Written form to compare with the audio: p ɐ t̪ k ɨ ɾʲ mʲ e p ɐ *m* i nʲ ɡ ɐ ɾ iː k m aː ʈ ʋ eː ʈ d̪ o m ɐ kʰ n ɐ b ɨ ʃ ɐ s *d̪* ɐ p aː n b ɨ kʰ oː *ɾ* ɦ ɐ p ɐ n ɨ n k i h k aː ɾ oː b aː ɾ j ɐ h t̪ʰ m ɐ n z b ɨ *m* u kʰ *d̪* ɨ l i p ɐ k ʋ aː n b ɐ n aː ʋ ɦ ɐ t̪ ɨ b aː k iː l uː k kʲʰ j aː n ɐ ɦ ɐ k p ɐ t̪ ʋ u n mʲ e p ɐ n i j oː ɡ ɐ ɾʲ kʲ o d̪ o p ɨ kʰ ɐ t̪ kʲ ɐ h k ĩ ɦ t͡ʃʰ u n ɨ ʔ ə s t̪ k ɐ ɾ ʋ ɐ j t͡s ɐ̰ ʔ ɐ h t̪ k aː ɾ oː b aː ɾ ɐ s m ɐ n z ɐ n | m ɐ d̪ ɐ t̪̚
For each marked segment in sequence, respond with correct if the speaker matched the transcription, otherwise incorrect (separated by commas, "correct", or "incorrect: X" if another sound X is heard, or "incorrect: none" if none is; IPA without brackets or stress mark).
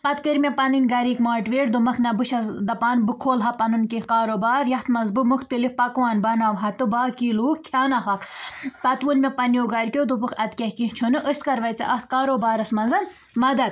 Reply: incorrect: n, correct, incorrect: l, correct, incorrect: t̪